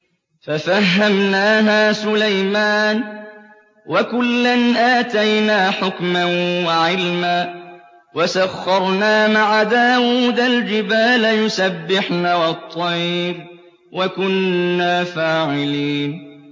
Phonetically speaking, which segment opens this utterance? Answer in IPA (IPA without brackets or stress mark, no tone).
f